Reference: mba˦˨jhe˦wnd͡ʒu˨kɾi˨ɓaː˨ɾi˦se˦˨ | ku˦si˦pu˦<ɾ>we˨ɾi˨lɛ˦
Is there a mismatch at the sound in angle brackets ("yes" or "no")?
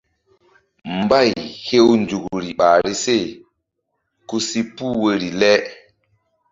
yes